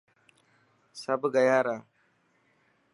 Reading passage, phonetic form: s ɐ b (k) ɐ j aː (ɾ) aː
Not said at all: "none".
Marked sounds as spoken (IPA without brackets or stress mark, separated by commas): ɡ, ɾ